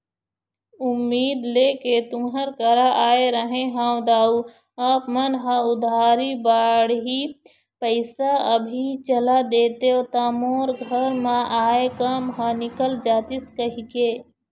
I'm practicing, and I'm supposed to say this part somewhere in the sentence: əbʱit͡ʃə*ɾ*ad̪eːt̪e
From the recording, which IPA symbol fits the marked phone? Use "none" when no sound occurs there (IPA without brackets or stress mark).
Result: l